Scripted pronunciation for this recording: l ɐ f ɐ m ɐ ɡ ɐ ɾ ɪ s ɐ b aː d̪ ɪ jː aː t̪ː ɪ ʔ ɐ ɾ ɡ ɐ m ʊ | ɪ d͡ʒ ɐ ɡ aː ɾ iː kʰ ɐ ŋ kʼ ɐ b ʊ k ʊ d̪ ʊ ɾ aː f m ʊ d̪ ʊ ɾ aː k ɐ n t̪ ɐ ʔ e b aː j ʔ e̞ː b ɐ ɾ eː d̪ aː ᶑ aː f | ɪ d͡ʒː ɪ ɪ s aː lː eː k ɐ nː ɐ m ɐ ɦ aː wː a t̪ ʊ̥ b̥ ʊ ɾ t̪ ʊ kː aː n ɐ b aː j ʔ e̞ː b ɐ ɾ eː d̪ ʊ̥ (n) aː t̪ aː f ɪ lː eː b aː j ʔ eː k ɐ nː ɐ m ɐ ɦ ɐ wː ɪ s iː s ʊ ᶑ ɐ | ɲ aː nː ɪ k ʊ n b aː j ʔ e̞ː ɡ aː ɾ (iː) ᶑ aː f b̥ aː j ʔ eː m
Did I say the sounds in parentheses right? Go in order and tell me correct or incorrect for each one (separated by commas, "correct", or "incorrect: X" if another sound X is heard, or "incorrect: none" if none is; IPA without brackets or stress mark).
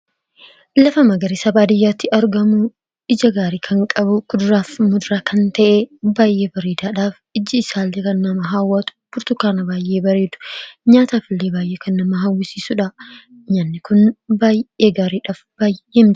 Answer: incorrect: ɲ, correct